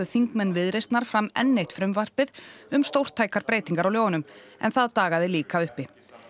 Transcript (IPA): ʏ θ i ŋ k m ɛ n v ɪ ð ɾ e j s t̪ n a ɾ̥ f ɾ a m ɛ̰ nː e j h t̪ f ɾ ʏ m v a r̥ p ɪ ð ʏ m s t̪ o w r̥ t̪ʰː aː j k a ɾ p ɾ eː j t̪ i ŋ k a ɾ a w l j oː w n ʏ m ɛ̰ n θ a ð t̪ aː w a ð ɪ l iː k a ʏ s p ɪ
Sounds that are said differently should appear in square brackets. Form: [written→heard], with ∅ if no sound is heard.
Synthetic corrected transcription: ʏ θ i ŋ k m ɛ n v ɪ ð ɾ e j s t̪ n a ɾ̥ f ɾ a m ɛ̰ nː e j h t̪ f ɾ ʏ m v a r̥ p ɪ ð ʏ m s t̪ o w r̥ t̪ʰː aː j k a ɾ p ɾ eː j t̪ i ŋ k a ɾ a w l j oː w n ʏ m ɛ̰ n θ a ð t̪ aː [w→ɣ] a ð ɪ l iː k a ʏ [s→h] p ɪ

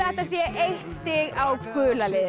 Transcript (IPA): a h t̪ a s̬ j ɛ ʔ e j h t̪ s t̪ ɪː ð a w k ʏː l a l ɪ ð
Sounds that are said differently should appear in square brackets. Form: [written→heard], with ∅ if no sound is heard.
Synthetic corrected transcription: [a→ɛ] h t̪ a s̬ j ɛ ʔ e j h t̪ s t̪ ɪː [ð→ɣ] a w k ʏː l a l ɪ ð

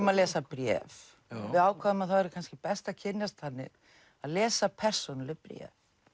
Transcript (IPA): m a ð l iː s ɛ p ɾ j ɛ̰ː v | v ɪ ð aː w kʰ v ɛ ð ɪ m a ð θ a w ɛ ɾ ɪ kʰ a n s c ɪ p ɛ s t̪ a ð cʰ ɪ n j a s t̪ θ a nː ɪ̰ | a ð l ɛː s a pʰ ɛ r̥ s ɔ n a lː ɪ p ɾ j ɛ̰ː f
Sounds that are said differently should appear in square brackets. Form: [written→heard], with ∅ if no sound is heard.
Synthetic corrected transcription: m a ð l [iː→ɛː] s [ɛ→a] p ɾ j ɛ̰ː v | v ɪ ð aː w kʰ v [ɛ→a] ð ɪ m a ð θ a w ɛ ɾ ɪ kʰ a n s c ɪ p ɛ s t̪ a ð cʰ ɪ n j a s t̪ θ a nː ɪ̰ | a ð l ɛː s a pʰ ɛ r̥ s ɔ n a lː ɪ p ɾ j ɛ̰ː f

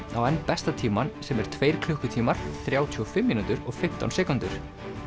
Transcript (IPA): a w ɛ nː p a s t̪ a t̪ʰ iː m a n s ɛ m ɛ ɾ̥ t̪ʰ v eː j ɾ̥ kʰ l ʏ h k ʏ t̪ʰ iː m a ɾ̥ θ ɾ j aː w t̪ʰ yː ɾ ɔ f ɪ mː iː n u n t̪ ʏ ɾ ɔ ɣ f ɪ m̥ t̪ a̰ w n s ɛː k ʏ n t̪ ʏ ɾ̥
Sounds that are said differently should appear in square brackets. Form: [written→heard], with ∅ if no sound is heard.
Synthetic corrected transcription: a w ɛ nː p [a→ɛ] s t̪ a t̪ʰ iː m a n s ɛ m ɛ ɾ̥ t̪ʰ v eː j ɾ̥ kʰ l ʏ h k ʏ t̪ʰ iː m a ɾ̥ θ ɾ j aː w t̪ʰ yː [ɾ→∅] ɔ f ɪ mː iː n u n t̪ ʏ ɾ ɔ ɣ f ɪ m̥ t̪ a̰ w n s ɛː k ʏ n t̪ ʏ ɾ̥

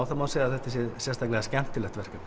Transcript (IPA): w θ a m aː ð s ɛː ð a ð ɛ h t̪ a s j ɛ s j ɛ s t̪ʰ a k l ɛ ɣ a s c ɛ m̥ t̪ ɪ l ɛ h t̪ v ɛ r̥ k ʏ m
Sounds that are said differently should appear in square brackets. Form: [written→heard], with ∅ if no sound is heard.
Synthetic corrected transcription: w θ a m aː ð s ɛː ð a [ð→θ] ɛ h t̪ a s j ɛ s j ɛ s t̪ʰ a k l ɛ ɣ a s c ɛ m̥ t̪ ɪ l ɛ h t̪ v ɛ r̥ k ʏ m

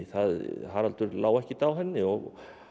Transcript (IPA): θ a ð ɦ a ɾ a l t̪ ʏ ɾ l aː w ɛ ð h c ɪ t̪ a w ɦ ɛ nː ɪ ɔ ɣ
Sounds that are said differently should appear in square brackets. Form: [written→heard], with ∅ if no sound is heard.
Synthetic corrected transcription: θ a ð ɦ a ɾ a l t̪ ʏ ɾ l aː w ɛ [ð→∅] h c ɪ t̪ a w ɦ ɛ nː ɪ ɔ ɣ

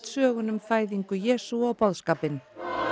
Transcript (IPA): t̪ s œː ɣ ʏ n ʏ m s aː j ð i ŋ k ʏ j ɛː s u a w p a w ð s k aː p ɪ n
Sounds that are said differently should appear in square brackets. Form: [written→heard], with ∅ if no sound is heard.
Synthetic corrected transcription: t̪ s œː ɣ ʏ n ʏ m [s→f] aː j ð i ŋ k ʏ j ɛː s u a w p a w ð s k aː p ɪ n

